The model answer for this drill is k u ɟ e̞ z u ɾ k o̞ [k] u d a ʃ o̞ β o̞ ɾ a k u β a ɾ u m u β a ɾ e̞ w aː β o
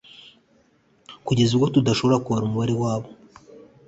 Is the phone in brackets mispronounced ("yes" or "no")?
yes